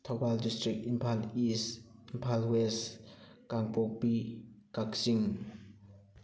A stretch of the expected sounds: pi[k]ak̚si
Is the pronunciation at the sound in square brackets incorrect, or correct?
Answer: correct